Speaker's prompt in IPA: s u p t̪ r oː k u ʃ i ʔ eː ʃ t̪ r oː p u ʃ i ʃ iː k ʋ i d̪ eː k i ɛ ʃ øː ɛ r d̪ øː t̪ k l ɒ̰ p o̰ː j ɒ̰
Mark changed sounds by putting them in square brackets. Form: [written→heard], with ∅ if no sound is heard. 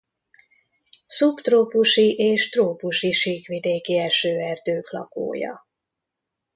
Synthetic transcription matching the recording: s u p t̪ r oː [k→p] u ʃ i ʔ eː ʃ t̪ r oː p u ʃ i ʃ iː k ʋ i d̪ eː k i ɛ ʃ øː ɛ r d̪ øː [t̪→∅] k l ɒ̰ [p→k] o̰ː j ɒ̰